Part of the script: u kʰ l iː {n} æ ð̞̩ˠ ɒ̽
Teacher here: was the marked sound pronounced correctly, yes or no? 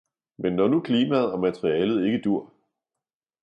no